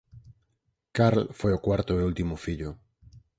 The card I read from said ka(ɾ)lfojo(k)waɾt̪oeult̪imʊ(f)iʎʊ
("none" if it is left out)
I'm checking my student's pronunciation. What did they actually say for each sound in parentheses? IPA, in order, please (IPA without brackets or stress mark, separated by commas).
ɾ, k, f